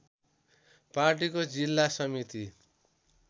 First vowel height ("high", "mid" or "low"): low